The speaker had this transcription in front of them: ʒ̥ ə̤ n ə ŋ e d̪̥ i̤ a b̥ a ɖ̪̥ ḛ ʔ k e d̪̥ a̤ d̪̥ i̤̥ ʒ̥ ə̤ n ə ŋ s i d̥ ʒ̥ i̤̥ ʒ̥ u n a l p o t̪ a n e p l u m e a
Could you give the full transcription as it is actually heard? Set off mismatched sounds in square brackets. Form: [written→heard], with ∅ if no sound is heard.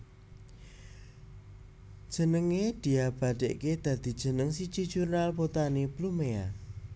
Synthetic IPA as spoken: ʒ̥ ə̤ n ə ŋ e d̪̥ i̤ a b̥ a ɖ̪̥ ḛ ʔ k e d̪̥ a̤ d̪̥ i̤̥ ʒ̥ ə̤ n ə ŋ s i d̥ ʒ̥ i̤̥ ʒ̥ u n a l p o t̪ a n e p l u m e a